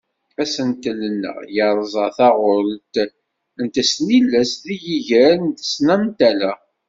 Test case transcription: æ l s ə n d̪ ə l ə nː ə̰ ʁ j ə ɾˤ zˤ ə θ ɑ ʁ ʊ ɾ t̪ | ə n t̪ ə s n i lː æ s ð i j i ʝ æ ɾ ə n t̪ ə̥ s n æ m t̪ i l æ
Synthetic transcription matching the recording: æ s ə n t̪ ə l ə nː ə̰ ʁ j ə ɾˤ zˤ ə θ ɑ ʁ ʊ ɾ t̪ | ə n t̪ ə s n i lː æ s ð i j i ʝ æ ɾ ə n t̪ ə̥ s n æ m t̪ æ l æ

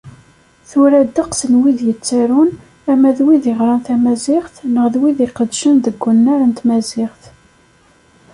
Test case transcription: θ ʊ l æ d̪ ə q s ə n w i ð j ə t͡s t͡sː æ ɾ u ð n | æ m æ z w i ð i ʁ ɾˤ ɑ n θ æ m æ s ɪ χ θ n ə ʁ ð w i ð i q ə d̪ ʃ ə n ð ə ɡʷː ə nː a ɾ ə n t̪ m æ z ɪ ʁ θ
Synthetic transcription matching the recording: θ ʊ ɾ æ d̪ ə q s ə n w i ð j ə t͡s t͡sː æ ɾ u n | æ m æ ð w i ð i ʁ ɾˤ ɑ n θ æ m æ z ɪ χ θ n ə ʁ ð w i ð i q ə d̪ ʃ ə n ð ə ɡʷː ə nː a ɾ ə n t̪ m æ z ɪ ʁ θ

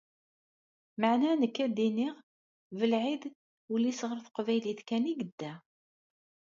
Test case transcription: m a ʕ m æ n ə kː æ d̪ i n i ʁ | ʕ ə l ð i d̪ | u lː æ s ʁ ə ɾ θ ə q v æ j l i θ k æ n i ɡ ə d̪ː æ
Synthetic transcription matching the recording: m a ʕ n æ n ə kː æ d̪ i n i ʁ | v ə l ʕ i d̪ | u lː i s ʁ ə ɾ θ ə q v æ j l i θ k æ n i ɡ ə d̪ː æ

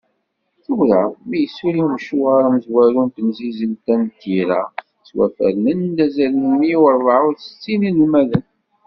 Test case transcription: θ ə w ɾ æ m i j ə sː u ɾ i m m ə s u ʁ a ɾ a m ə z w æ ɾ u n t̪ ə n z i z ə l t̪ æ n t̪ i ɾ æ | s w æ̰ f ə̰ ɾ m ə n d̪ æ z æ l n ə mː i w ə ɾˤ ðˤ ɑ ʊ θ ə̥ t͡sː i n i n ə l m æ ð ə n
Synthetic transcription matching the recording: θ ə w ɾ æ m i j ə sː u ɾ i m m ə ʃ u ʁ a ɾ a m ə z w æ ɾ u n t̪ ə n z i z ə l t̪ æ n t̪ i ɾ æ | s w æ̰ f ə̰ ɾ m ə n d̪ æ z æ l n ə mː i w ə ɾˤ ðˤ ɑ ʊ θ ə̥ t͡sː i n i n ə l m æ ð ə n

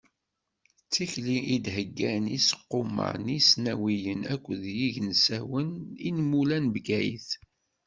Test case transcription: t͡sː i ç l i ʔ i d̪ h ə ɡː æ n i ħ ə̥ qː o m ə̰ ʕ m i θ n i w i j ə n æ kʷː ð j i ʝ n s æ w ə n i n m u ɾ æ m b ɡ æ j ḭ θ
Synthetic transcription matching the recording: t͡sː i ç l i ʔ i d̪ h ə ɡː æ n i s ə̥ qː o m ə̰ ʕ n i s n æ w i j ə n æ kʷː ð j i ʝ n s æ w ə n i n m u l æ n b ɡ æ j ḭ θ

